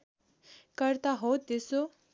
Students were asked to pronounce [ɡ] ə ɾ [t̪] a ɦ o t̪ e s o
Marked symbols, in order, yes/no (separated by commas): no, yes